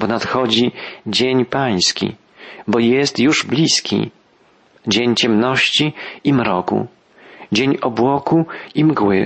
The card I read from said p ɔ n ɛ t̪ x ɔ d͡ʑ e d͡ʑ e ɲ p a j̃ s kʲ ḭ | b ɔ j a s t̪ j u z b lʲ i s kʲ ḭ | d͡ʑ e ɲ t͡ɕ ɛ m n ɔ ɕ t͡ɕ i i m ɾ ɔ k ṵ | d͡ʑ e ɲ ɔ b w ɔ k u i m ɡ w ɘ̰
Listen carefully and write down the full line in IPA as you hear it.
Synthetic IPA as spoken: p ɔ n a t̪ x ɔ d͡ʑ i d͡ʑ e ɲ p a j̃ s kʲ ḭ | b ɔ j ɛ s t̪ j u ʐ b lʲ i s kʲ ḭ | d͡ʑ e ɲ t͡ɕ ɛ m n ɔ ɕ t͡ɕ i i m ɾ ɔ k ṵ | d͡ʑ e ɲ ɔ b w ɔ k u i m ɡ w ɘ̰